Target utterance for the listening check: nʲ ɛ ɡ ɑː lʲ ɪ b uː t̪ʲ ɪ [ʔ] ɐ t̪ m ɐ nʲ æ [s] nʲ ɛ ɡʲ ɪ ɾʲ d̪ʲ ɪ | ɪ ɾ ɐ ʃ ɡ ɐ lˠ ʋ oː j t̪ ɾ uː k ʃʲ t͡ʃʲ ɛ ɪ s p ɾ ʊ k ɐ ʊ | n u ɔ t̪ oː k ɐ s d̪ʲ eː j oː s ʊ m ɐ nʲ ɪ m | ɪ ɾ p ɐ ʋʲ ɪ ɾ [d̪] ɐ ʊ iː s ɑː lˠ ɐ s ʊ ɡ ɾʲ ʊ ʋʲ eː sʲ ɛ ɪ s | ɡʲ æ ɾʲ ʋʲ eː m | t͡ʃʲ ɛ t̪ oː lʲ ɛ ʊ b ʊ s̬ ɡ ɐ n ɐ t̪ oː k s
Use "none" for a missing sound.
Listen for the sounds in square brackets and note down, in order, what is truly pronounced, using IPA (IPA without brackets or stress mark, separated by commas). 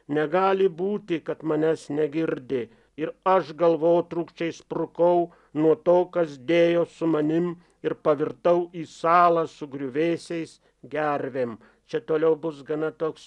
k, s, t̪